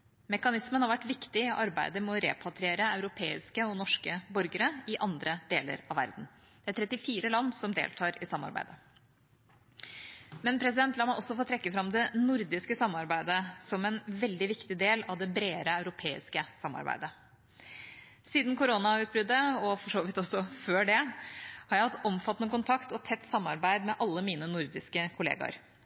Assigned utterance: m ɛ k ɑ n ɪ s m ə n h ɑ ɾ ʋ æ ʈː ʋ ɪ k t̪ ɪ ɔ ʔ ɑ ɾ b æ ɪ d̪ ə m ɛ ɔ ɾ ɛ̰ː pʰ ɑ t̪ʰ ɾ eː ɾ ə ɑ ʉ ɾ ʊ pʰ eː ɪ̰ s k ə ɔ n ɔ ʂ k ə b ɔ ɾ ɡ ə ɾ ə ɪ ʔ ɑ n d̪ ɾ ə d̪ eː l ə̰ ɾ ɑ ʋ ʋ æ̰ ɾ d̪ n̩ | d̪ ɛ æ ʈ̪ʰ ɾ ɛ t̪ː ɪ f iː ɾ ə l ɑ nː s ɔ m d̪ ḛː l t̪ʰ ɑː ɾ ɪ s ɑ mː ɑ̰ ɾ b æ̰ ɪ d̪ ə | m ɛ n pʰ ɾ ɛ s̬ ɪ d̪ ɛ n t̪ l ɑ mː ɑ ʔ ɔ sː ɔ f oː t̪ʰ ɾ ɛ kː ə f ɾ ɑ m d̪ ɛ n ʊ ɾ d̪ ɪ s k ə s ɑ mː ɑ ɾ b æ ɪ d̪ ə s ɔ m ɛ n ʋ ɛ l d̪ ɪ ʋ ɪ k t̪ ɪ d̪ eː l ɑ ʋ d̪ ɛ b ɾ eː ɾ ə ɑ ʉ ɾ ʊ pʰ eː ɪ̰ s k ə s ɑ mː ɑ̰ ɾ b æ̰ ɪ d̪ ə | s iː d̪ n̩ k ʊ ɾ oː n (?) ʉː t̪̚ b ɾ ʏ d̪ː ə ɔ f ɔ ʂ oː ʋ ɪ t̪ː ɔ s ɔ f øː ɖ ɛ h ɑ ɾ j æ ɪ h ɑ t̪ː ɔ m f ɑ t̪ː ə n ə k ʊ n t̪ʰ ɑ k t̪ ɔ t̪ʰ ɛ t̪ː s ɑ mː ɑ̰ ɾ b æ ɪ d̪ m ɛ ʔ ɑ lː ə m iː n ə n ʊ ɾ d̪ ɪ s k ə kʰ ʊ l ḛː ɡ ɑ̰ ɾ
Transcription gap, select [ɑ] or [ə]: ɑ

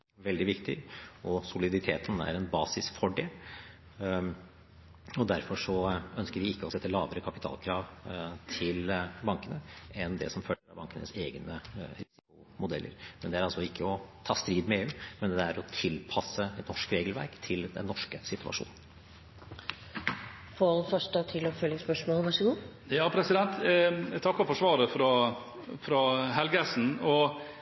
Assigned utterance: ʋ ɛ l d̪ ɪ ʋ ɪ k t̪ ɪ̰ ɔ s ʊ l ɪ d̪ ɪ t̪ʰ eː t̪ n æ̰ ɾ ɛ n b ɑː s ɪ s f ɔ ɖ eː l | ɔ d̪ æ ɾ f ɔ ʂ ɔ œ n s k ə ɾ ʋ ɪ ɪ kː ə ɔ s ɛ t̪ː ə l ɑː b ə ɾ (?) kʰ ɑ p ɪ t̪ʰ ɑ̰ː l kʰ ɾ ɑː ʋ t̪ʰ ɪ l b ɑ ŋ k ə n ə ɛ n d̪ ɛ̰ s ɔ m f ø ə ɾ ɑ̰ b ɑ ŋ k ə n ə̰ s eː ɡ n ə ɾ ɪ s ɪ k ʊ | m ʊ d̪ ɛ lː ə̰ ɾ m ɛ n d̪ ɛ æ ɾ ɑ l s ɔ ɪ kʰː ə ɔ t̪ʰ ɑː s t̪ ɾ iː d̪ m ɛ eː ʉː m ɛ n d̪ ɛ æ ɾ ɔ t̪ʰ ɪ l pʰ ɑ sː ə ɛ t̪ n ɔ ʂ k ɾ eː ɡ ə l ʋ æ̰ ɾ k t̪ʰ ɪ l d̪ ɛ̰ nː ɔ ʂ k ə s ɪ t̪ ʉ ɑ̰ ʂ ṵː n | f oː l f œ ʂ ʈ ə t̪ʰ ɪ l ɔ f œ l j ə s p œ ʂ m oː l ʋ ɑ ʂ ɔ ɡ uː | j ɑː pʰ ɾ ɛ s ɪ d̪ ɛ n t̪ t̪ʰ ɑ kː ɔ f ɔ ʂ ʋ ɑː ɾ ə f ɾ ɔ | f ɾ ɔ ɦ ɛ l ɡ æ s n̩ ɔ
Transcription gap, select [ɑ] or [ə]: ə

